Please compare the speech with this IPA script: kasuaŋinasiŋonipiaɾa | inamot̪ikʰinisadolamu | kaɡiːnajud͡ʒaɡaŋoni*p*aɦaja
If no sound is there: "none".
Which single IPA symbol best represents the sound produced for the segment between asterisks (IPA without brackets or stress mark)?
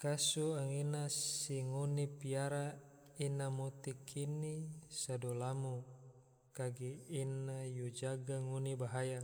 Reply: b